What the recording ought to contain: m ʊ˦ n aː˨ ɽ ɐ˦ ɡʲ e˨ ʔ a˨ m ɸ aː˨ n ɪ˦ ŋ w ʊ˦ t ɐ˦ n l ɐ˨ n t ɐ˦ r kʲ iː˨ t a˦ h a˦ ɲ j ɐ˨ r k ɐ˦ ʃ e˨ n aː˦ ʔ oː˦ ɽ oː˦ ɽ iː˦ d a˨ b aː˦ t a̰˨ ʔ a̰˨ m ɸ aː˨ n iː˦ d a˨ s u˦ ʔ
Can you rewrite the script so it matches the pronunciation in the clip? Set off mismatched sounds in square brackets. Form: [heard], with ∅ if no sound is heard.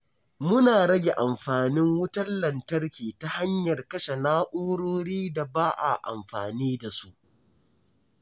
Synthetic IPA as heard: m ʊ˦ n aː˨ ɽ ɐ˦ ɡʲ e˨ ʔ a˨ m ɸ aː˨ n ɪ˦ ŋ w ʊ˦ t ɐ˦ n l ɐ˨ n t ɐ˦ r kʲ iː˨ t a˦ h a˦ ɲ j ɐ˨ r k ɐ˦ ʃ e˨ n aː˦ ʔ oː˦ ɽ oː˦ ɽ iː˦ d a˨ b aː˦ [ʔ] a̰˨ ʔ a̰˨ m ɸ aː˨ n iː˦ d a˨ s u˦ ʔ